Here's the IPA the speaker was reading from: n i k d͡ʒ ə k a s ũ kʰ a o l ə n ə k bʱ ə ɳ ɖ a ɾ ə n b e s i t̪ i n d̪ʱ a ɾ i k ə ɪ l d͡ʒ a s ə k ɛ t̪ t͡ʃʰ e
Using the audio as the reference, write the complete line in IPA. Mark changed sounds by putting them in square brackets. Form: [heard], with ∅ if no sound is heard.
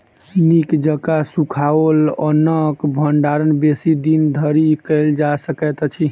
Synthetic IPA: n i k d͡ʒ ə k a s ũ kʰ a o l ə n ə k bʱ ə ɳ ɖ a ɾ ə n b e s i [d̪] i n d̪ʱ [ə] ɾ i k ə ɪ l d͡ʒ a s ə k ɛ t̪ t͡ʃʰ [i]